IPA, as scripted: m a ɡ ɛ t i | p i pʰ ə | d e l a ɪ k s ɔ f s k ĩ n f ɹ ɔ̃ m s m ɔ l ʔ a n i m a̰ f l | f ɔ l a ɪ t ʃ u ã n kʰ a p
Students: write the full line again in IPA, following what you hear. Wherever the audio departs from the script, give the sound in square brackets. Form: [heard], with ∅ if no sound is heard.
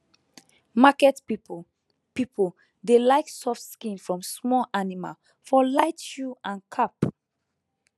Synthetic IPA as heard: m a [k] ɛ t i | p i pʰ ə | d e l a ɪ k s ɔ f s k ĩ n f ɹ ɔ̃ m s m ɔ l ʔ a n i m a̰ [∅] l | f ɔ l a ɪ t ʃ u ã n kʰ a p